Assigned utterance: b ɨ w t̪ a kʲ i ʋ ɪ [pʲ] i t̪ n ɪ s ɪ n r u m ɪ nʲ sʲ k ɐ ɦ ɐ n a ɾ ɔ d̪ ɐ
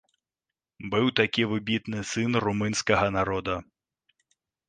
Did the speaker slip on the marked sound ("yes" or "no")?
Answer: yes